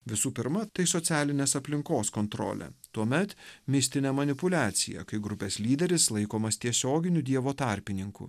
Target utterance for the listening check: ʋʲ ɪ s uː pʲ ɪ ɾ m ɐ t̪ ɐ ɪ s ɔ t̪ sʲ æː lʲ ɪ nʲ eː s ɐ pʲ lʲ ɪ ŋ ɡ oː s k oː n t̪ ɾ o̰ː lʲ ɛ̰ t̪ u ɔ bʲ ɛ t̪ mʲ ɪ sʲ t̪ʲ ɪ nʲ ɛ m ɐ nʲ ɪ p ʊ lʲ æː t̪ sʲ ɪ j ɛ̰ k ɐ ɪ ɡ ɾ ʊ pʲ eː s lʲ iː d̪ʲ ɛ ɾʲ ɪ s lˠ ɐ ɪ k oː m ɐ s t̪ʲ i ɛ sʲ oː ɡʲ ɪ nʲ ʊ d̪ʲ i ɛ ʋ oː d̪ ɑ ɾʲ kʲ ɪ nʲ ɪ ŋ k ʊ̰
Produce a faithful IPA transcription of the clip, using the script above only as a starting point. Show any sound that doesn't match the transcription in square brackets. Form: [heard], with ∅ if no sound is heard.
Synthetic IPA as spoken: ʋʲ ɪ s uː pʲ ɪ ɾ m ɐ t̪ ɐ ɪ s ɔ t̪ sʲ æː lʲ ɪ nʲ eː s ɐ pʲ lʲ ɪ ŋ [k] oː s k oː n t̪ ɾ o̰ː lʲ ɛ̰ t̪ u ɔ [mʲ] ɛ t̪ mʲ ɪ sʲ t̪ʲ ɪ nʲ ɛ m ɐ nʲ ɪ p ʊ lʲ æː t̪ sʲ ɪ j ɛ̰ k ɐ ɪ ɡ ɾ ʊ pʲ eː s lʲ iː d̪ʲ ɛ ɾʲ ɪ s lˠ ɐ ɪ k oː m ɐ s t̪ʲ i ɛ sʲ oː ɡʲ ɪ nʲ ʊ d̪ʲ i ɛ ʋ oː [t̪] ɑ ɾʲ [pʲ] ɪ nʲ ɪ ŋ k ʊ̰